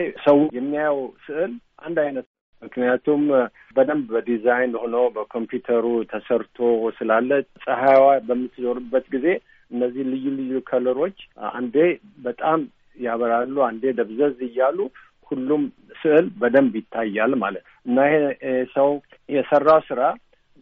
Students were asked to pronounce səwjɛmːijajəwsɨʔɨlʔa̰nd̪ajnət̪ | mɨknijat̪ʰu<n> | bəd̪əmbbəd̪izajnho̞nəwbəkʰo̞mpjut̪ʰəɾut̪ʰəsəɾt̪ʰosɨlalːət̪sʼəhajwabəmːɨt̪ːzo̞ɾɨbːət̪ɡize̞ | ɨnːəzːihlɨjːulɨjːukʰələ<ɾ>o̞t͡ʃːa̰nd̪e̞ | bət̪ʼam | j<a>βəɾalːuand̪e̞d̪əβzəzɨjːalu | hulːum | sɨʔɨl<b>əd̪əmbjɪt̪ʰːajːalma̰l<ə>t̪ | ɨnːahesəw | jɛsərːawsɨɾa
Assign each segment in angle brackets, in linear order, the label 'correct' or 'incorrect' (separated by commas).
incorrect, correct, correct, correct, correct